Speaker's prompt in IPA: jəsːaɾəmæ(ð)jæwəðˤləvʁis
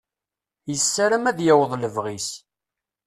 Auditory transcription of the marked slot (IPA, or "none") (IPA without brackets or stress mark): ð